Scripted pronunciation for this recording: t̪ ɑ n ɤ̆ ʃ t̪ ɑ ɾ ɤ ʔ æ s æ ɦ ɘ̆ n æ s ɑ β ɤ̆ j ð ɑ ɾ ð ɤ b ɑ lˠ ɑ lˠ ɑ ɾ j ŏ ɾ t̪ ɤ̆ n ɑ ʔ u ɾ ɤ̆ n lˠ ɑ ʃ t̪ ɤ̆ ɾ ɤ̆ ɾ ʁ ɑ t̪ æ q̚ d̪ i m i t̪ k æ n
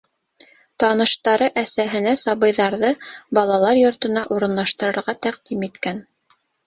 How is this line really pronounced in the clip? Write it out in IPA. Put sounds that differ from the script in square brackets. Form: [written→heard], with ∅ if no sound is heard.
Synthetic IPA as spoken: t̪ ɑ n ɤ̆ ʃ t̪ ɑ ɾ ɤ ʔ æ s æ ɦ ɘ̆ n æ s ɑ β ɤ̆ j ð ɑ ɾ ð ɤ b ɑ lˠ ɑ lˠ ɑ ɾ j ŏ ɾ t̪ ɤ̆ n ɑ ʔ u ɾ ɤ̆ n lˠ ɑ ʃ t̪ ɤ̆ ɾ ɤ̆ ɾ ʁ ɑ t̪ æ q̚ d̪ i m i t̪ k æ n